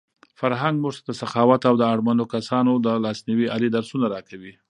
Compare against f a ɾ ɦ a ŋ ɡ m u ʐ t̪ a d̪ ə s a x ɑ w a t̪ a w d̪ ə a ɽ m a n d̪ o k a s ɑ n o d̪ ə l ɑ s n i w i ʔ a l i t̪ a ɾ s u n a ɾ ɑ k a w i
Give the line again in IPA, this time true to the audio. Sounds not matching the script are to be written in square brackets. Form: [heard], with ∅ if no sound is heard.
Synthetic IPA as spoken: f a ɾ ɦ a ŋ ɡ m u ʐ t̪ a d̪ ə s a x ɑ w a t̪ a w d̪ ə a ɽ m a n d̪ o k a s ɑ n o d̪ ə l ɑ s n i w i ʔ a l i [d̪] a ɾ s u n a ɾ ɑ k a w i